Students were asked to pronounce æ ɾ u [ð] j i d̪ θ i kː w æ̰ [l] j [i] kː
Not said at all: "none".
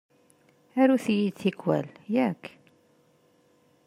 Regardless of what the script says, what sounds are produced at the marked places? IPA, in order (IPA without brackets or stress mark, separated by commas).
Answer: θ, l, æ